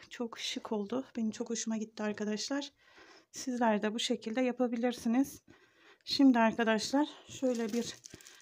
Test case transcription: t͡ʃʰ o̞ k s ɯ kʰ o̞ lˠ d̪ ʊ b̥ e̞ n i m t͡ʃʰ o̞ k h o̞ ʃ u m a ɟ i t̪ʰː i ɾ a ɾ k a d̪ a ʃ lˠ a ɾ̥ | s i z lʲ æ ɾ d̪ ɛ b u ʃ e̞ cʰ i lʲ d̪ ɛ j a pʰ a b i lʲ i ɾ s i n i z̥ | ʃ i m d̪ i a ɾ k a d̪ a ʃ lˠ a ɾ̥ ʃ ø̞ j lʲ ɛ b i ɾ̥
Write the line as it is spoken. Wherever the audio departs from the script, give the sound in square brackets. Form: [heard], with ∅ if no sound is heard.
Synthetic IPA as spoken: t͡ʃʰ o̞ k [ʃ] ɯ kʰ o̞ lˠ d̪ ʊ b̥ e̞ n i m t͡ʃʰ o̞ k h o̞ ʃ u m a ɟ i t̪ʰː i [∅] a ɾ k a d̪ a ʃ lˠ a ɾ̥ | s i z lʲ æ ɾ d̪ ɛ b u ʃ e̞ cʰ i lʲ d̪ ɛ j a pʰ a b i lʲ i ɾ s i n i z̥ | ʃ i m d̪ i a ɾ k a d̪ a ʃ lˠ a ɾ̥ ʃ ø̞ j lʲ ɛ b i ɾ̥